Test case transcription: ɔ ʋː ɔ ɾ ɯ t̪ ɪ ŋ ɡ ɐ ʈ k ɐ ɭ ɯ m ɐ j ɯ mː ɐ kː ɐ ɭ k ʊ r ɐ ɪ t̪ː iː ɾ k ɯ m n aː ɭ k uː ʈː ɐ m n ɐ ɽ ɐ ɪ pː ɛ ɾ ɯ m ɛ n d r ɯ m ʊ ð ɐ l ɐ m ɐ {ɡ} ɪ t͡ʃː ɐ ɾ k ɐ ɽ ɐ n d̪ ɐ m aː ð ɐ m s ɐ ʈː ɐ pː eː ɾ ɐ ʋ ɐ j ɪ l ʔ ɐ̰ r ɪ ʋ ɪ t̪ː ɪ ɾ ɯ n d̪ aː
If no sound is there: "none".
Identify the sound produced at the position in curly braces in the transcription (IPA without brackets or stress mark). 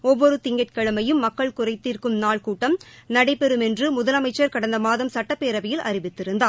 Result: none